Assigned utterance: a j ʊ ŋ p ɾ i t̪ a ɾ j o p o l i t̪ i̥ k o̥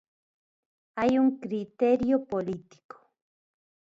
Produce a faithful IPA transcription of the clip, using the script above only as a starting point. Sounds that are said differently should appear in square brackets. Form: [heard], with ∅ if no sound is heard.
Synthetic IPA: a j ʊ ŋ [k] ɾ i t̪ [e] ɾ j o p o l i t̪ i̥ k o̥